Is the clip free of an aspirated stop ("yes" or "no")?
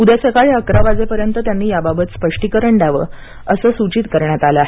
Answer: yes